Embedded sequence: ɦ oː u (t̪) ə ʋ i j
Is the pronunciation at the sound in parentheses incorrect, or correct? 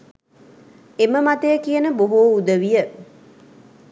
incorrect